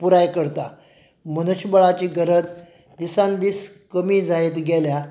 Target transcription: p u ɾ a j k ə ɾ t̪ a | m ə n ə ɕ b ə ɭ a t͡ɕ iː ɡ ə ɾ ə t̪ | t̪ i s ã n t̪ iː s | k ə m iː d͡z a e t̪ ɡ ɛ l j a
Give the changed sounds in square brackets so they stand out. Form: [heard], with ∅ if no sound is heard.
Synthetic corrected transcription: p u ɾ a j k ə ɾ t̪ a | m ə n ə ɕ b ə ɭ a t͡ɕ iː ɡ ə ɾ ə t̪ | [d̪] i s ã n [d̪] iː s | k ə m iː d͡z a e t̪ ɡ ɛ l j a